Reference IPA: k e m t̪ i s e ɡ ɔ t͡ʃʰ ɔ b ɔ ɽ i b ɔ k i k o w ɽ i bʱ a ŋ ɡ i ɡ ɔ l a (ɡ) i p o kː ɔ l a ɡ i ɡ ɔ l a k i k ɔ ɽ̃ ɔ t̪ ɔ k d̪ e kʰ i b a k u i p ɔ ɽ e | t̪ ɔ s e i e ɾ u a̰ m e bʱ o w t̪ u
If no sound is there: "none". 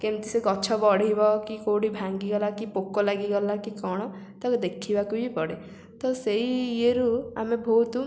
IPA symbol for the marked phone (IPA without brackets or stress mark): k